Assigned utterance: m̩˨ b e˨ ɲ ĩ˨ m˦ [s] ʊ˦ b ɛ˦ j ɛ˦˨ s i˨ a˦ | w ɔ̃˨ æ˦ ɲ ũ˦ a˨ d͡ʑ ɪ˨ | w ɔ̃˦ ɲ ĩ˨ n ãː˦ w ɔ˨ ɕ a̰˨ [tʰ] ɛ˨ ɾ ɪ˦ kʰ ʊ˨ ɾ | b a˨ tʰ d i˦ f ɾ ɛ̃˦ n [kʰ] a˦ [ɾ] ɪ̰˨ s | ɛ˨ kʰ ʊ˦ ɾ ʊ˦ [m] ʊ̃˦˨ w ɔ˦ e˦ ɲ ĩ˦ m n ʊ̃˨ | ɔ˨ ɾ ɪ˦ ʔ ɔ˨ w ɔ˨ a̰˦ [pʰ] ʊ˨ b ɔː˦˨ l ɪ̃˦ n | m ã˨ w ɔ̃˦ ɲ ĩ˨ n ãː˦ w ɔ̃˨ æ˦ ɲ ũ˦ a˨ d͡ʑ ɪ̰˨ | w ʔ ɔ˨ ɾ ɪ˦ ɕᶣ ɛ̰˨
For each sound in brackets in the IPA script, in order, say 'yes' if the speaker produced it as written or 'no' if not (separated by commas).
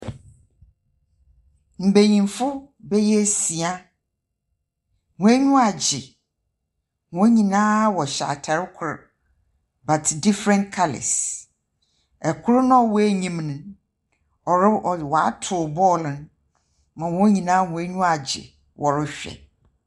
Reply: no, yes, yes, no, no, no